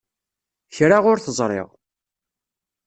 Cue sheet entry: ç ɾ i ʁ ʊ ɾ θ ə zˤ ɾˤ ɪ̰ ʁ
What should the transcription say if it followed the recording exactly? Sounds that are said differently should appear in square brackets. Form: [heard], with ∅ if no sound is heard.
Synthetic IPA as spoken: ç ɾ [a] ʁ ʊ ɾ θ ə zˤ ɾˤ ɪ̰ ʁ